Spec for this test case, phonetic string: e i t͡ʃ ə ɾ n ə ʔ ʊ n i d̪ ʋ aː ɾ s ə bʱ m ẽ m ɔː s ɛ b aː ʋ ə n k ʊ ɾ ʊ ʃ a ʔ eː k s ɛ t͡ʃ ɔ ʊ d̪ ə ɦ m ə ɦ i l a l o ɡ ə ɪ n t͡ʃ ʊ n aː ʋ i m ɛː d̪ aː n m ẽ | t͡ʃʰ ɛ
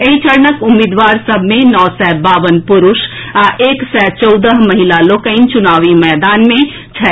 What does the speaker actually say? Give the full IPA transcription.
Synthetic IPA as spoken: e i t͡ʃ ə ɾ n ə k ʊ m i d̪ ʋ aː ɾ s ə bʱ m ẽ n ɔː s ɛ b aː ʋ ə n p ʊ ɾ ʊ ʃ a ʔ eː k s ɛ t͡ʃ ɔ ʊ d̪ ə ɦ m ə ɦ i l a l o k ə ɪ n t͡ʃ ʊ n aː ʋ i m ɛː d̪ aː n m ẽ | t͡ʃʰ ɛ